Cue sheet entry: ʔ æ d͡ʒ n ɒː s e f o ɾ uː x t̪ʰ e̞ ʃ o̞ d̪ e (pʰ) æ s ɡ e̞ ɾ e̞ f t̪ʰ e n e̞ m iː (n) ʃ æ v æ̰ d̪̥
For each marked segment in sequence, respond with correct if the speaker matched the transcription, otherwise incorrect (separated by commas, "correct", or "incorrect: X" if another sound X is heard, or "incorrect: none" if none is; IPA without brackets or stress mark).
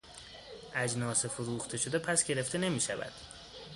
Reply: correct, incorrect: none